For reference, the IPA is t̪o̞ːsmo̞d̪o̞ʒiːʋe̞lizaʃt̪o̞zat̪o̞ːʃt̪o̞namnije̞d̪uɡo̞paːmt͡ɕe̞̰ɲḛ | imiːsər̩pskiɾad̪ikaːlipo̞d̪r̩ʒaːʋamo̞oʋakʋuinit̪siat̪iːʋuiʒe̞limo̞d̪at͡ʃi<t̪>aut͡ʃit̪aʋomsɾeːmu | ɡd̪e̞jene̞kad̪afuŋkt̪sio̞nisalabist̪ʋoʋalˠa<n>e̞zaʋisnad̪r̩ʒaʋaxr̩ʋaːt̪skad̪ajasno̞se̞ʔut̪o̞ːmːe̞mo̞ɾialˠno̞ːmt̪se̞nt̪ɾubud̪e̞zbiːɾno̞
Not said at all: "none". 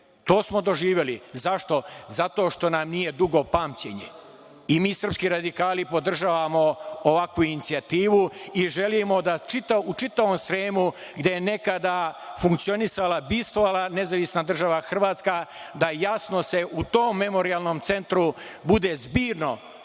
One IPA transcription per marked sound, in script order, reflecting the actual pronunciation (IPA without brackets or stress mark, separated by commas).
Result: t̪, n